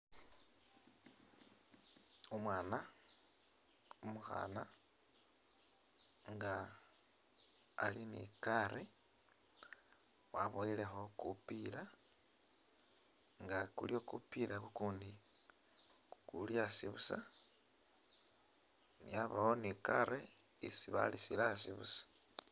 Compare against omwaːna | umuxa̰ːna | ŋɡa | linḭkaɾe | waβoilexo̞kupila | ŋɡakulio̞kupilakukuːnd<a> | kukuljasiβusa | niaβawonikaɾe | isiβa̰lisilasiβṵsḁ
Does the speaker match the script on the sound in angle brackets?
no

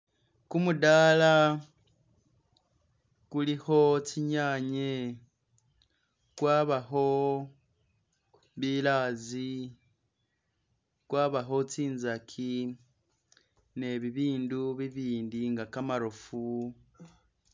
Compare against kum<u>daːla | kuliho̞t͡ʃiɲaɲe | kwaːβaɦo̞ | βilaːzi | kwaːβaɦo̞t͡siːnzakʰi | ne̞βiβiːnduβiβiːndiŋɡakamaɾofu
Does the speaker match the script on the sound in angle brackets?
yes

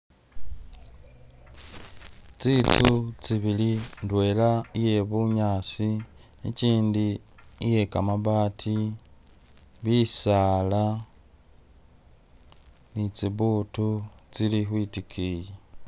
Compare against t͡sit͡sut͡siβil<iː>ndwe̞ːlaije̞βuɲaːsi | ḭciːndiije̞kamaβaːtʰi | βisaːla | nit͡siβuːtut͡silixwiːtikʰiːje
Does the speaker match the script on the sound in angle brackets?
no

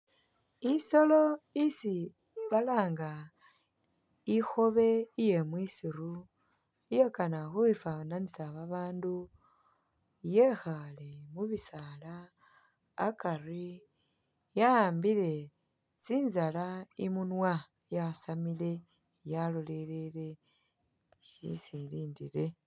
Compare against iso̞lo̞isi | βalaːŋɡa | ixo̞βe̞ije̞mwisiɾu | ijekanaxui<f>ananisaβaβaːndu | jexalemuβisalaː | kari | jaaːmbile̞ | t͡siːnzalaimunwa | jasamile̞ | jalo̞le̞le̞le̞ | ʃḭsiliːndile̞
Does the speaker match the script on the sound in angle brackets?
yes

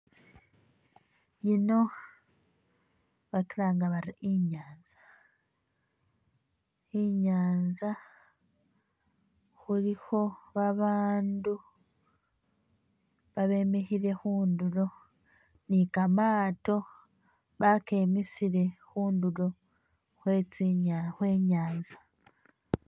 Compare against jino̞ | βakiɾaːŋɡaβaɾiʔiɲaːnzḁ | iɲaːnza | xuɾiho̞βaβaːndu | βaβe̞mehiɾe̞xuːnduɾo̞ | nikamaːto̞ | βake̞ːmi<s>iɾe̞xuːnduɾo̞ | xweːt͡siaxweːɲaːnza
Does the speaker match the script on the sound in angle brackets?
yes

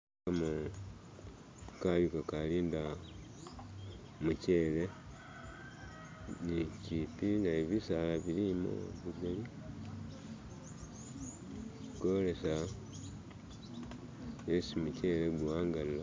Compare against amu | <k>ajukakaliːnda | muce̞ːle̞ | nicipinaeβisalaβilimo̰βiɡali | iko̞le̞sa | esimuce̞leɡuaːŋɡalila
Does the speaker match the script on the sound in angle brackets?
yes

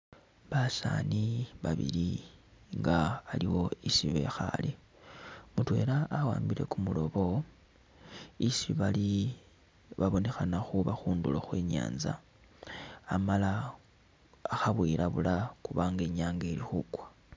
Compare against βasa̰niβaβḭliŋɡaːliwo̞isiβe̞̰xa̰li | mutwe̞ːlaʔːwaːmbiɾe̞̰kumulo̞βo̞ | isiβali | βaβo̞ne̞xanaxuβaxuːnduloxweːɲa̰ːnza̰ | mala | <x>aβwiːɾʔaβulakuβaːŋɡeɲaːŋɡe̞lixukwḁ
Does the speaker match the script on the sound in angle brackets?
yes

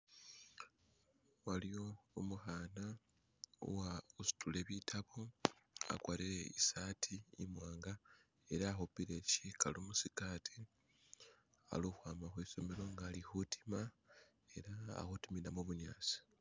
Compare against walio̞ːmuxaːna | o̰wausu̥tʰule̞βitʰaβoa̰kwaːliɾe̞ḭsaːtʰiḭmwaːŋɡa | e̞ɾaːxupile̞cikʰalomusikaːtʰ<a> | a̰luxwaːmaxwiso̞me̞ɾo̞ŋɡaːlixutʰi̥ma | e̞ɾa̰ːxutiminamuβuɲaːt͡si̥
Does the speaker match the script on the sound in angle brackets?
no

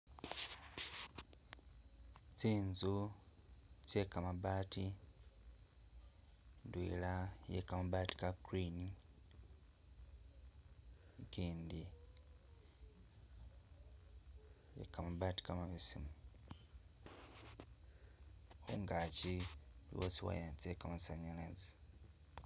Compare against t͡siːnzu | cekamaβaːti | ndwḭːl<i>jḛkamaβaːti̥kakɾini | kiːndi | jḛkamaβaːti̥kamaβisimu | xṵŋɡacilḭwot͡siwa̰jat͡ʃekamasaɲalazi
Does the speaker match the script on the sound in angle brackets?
no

